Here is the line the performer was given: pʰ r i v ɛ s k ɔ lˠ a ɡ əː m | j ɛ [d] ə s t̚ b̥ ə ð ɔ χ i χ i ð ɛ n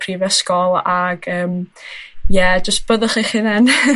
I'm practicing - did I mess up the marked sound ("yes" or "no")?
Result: yes